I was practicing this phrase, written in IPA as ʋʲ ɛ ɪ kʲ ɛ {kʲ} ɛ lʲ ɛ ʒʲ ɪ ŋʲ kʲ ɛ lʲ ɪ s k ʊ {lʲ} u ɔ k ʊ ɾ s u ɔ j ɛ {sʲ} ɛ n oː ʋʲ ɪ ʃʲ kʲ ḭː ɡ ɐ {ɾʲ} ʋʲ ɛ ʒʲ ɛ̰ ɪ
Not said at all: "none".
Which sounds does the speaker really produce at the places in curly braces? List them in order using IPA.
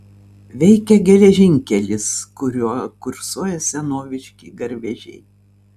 ɡʲ, ɾʲ, sʲ, ɾʲ

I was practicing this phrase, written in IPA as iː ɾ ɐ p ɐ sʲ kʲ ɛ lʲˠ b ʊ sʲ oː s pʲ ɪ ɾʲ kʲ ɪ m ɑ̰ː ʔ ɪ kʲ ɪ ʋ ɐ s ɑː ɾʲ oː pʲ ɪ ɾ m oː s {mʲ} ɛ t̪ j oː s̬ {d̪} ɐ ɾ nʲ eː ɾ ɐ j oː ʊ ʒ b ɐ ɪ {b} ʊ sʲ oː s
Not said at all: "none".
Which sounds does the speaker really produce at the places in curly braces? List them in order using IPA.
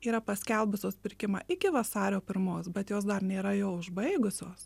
bʲ, d̪, ɡ

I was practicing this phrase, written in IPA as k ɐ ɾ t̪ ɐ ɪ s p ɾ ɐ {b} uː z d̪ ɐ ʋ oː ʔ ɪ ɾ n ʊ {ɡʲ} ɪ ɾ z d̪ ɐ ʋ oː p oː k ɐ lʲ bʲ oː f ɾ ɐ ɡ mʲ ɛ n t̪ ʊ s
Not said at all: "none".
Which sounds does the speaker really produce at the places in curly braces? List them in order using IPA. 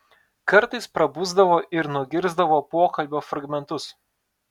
b, ɡʲ

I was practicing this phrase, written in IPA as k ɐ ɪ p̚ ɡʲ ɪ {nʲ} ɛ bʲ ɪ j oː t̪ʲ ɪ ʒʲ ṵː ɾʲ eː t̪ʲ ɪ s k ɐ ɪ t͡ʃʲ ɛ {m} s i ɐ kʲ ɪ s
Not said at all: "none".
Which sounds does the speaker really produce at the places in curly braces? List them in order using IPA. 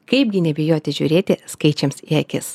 nʲ, m

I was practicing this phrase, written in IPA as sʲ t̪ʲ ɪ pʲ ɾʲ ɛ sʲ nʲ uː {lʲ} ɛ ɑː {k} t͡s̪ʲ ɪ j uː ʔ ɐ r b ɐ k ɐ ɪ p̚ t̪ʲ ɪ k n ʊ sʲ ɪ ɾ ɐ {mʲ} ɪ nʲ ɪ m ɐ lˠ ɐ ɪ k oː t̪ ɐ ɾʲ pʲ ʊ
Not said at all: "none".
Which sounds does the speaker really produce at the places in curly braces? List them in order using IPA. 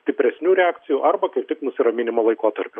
ɾʲ, k, mʲ

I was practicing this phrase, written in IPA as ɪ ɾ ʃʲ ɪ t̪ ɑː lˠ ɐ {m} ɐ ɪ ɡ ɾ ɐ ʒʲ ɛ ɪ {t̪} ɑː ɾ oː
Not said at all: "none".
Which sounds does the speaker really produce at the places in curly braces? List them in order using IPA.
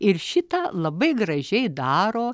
b, d̪

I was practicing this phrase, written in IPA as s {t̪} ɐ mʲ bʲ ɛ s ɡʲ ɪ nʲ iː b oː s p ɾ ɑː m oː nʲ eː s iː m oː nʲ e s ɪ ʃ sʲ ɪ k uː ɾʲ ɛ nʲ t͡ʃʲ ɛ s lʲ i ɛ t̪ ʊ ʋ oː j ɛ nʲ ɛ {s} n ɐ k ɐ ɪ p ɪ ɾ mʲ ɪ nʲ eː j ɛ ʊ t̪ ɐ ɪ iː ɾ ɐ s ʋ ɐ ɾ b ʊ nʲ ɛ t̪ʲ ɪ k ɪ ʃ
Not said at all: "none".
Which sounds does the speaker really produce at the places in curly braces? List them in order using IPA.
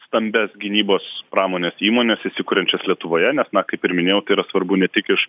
t̪, s

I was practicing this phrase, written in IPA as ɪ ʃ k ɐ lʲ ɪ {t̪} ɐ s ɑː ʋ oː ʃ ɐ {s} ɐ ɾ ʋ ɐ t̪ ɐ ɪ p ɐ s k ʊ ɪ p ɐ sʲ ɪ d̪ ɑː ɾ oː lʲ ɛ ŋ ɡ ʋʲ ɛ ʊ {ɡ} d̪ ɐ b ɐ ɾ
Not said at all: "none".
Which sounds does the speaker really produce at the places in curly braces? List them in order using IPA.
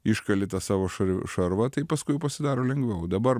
t̪, ʃ, none

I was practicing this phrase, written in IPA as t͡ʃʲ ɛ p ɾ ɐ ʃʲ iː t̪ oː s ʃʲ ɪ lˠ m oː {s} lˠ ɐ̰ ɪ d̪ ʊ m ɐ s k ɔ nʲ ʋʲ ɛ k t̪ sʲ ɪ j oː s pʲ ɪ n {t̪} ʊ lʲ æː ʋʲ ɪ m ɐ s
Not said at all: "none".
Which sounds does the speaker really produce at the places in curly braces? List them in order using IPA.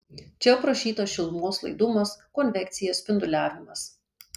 s, d̪

